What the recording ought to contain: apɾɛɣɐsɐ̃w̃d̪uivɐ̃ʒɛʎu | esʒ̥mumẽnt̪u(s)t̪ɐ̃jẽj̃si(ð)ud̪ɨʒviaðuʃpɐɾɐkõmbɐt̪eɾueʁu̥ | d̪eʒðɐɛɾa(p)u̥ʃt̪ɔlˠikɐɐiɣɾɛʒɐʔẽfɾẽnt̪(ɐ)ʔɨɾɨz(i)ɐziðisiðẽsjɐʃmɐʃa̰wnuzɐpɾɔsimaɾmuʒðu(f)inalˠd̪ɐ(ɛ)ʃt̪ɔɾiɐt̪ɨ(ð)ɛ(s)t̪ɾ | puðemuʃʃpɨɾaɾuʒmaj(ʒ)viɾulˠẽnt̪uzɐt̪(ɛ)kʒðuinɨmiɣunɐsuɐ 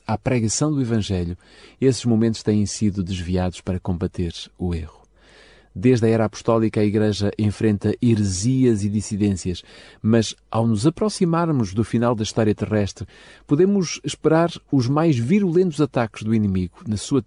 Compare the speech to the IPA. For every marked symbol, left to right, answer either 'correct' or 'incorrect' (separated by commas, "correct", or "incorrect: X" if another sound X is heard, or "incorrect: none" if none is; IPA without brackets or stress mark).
incorrect: ʃ, correct, correct, correct, correct, correct, incorrect: i, incorrect: ʁ, incorrect: ʃ, correct, incorrect: a